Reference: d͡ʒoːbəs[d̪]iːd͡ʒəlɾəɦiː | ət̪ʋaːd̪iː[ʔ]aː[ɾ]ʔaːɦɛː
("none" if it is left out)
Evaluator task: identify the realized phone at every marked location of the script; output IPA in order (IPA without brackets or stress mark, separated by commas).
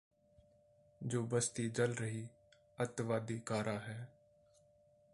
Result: t̪, k, ɾ